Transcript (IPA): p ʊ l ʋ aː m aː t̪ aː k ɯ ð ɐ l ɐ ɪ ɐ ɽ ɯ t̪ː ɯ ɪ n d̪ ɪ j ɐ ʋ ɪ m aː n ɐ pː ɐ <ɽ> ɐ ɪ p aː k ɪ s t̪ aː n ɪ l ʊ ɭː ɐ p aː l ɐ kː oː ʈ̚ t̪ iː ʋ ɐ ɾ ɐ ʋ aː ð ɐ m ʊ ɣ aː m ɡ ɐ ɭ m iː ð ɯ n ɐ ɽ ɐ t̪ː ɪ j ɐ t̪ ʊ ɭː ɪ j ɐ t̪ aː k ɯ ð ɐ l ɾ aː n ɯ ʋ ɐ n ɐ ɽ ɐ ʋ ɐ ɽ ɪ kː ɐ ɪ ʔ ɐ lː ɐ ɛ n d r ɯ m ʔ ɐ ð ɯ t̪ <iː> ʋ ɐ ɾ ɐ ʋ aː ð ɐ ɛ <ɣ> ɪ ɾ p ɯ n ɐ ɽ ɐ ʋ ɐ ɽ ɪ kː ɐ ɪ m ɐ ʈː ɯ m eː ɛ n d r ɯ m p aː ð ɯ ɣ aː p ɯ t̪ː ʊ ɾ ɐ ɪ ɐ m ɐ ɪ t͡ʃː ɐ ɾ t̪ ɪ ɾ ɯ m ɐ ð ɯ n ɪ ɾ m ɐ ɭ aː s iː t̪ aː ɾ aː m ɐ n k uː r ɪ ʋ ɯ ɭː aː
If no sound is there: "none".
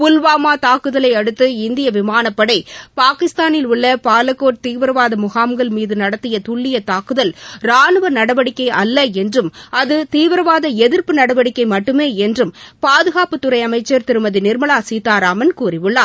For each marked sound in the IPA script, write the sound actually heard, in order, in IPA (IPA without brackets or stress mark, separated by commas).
ɽ, iː, ð